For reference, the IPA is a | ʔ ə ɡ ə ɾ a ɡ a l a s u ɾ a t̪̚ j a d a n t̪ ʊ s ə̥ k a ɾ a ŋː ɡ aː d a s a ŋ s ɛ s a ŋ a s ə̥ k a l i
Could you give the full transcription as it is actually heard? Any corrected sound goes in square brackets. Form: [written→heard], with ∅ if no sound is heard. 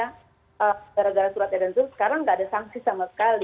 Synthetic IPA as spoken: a | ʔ ə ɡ [ə→a] ɾ a ɡ a [l→ɾ] a s u ɾ a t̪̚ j a d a n t̪ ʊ s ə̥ k a ɾ a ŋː ɡ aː d a s a ŋ s [ɛ→i] s a [ŋ→m] a s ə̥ k a l i

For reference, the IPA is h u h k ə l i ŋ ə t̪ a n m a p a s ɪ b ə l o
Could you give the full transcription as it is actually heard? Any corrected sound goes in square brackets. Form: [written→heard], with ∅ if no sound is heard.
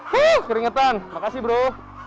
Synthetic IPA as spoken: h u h k ə [l→ɾ] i ŋ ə t̪ a n m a [p→k] a s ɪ b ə [l→ɾ] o

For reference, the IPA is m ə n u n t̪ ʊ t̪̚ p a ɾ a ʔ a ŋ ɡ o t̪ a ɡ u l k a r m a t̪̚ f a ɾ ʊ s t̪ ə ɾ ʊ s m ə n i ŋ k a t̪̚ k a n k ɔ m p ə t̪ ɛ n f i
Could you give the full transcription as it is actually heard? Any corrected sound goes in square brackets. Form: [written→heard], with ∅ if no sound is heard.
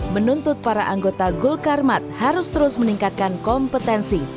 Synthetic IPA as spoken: m ə n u n t̪ ʊ t̪̚ p a ɾ a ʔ a ŋ ɡ o t̪ a ɡ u l k a r m a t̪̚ [f→h] a ɾ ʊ s t̪ ə ɾ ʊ s m ə n i ŋ k a t̪̚ k a n k ɔ m p ə t̪ ɛ n [f→s] i

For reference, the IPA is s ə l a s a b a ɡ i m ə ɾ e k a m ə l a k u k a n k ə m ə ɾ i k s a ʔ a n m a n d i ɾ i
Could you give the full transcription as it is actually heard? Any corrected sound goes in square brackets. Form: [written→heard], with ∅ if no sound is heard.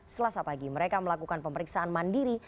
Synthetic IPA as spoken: s ə l a s a [b→p] a ɡ i m ə ɾ e k a m ə l a k u k a n [k→p] ə m ə ɾ i k s a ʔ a n m a n d i ɾ i

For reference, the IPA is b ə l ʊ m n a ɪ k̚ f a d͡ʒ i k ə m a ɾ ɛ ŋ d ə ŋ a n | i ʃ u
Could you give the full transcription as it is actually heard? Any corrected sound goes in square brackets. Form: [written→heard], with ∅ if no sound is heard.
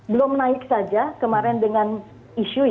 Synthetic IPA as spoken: b ə l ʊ m n a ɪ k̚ [f→s] a d͡ʒ [i→a] k ə m a ɾ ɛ [ŋ→n] d ə ŋ a n | i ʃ u

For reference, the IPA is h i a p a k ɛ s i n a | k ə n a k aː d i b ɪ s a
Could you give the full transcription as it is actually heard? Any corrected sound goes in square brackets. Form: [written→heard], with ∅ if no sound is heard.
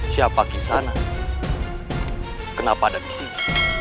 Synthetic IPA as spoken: [h→s] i a p a k [ɛ→i] s [i→a] n a | k ə n a [k→p] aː d [i→a] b [ɪ→i] s [a→i]

